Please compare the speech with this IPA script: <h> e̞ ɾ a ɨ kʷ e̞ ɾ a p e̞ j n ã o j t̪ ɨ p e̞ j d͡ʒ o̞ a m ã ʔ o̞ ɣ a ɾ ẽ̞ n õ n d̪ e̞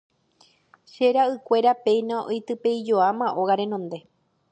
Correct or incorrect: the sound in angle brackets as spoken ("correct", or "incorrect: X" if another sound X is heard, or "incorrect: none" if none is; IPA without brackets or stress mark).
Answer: incorrect: ʃ